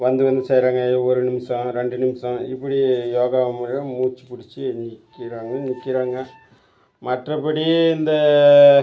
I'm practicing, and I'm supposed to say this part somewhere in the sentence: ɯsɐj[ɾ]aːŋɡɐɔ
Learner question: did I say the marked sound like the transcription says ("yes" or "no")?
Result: yes